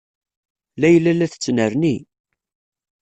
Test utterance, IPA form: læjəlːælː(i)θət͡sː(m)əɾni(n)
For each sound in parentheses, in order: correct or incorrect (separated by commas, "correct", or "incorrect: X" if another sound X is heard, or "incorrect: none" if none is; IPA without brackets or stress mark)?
incorrect: æ, incorrect: n, incorrect: none